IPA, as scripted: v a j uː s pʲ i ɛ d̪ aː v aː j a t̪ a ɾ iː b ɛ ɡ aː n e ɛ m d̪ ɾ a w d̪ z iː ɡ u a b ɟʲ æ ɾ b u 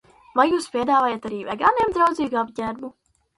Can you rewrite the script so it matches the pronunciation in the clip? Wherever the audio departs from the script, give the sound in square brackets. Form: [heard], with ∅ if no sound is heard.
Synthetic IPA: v a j uː s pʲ i ɛ d̪ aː v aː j a t̪ a ɾ iː [v] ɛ ɡ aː n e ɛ m d̪ ɾ a w d̪ z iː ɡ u a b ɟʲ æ ɾ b u